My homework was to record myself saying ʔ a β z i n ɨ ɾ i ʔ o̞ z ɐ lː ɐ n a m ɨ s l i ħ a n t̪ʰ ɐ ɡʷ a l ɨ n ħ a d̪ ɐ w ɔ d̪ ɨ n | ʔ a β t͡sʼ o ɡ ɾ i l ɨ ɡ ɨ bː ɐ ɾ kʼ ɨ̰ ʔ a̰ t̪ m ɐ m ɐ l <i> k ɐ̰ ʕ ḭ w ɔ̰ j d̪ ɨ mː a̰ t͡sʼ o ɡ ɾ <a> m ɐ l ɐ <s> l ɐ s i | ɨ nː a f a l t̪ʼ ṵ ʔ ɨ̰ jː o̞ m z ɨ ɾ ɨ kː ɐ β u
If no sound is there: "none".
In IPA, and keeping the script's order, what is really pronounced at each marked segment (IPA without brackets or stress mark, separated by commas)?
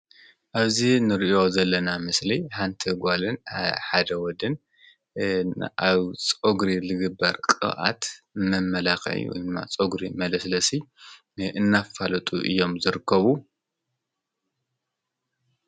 a, i, s